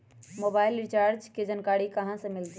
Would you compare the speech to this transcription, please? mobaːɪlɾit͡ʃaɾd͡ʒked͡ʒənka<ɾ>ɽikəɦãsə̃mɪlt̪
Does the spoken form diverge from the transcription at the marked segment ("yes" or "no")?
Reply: yes